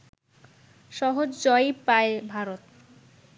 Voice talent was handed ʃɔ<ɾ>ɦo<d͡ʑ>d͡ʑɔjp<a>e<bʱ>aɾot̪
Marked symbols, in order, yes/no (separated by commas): no, yes, yes, yes